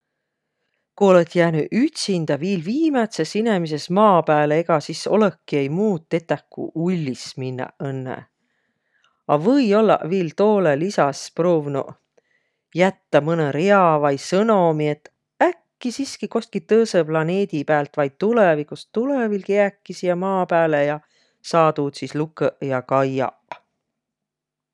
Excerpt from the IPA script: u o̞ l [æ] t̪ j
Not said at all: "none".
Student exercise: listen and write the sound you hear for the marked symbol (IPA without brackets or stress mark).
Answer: e